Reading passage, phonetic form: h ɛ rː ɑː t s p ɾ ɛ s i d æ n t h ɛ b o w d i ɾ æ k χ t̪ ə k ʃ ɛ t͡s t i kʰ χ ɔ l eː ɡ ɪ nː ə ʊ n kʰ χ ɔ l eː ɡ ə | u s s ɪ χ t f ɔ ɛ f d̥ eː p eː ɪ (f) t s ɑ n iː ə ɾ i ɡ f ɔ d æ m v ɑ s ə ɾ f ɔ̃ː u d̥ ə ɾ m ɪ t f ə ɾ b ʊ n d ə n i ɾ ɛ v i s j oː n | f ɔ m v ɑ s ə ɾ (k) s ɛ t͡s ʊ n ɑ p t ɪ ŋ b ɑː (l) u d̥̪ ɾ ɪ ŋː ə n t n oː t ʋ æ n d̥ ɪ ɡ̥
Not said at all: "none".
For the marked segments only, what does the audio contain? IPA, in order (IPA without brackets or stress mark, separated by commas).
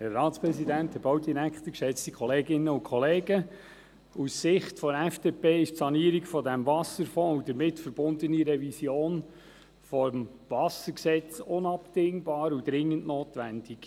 ʃ, k, ɾ